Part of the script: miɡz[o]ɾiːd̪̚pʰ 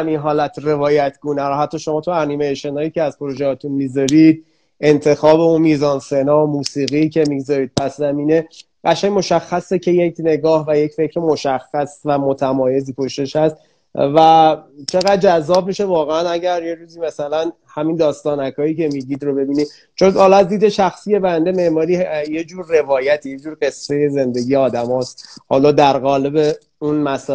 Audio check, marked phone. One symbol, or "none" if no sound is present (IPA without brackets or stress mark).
ɒ